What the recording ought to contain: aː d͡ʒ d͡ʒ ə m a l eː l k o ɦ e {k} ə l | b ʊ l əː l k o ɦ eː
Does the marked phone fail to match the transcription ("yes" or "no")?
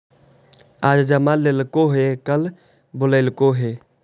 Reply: no